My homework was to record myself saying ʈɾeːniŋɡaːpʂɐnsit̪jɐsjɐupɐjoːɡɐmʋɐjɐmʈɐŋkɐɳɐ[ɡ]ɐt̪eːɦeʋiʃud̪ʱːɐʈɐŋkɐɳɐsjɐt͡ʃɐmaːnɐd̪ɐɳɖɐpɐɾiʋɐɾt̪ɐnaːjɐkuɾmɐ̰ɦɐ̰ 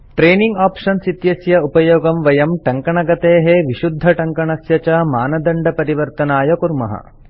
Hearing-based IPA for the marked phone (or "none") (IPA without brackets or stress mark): ɡ